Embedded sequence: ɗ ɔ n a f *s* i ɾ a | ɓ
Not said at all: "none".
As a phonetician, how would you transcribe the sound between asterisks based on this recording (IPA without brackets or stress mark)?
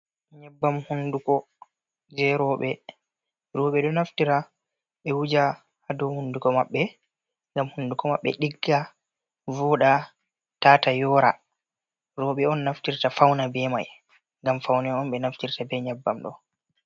t